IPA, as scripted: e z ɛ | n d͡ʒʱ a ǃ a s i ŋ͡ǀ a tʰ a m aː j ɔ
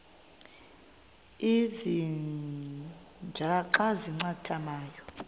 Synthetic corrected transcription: i z i | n d͡ʒʱ a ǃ a z i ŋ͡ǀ a tʰ a m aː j ɔ